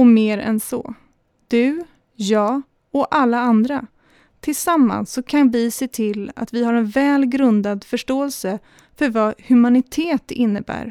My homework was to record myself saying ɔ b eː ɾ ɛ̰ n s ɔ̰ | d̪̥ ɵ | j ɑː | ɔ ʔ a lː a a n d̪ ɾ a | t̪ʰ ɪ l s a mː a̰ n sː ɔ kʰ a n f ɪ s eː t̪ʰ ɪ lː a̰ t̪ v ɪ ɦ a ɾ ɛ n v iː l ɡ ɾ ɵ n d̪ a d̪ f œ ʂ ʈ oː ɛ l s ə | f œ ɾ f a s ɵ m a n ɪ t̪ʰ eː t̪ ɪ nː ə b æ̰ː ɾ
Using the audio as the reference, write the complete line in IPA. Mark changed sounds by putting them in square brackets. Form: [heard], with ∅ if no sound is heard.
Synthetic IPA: ɔ [m] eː ɾ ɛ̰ n s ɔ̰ | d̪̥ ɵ | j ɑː | ɔ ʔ a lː a a n d̪ ɾ a | t̪ʰ ɪ l s a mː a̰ n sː ɔ kʰ a n [v] ɪ s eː t̪ʰ ɪ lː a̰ t̪ v ɪ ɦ a ɾ ɛ n v [ɛː] l ɡ ɾ ɵ n d̪ a d̪ f œ ʂ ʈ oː ɛ l s ə | f œ ɾ [v] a [h] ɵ m a n ɪ t̪ʰ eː t̪ ɪ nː ə b æ̰ː ɾ